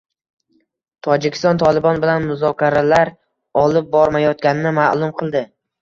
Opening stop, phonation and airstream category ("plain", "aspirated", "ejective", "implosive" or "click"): aspirated